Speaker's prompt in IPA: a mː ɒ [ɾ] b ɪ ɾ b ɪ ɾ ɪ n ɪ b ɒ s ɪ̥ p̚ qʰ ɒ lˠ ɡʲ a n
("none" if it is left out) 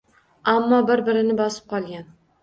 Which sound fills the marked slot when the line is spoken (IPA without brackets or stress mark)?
none